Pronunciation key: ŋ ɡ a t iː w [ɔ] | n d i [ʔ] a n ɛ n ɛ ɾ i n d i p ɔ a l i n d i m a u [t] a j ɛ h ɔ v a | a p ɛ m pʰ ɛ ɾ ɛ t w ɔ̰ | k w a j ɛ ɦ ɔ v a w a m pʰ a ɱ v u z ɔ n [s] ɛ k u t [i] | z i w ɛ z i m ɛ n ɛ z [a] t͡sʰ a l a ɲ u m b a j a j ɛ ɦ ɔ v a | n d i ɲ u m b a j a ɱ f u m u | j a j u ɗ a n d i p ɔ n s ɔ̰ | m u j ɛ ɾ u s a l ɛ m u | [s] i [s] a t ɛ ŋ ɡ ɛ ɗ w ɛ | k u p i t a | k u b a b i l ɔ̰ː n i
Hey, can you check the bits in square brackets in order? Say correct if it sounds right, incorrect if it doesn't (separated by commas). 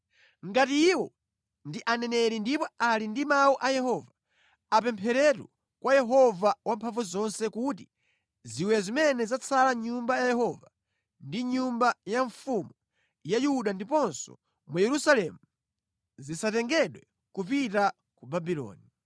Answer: correct, correct, incorrect, correct, correct, correct, incorrect, correct